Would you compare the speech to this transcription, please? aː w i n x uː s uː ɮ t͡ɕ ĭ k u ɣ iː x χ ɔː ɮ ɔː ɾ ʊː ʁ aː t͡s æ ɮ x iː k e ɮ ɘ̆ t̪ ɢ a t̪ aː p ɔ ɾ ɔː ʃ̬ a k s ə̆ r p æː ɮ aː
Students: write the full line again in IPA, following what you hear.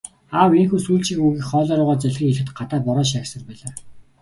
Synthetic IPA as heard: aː w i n x uː s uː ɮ t͡ɕ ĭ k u ɣ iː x χ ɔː ɮ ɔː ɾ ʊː ʁ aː t͡s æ ɮ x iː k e ɮ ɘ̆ t̪ ɢ a t̪ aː p ɔ ɾ ɔː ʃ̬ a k s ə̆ r p æː ɮ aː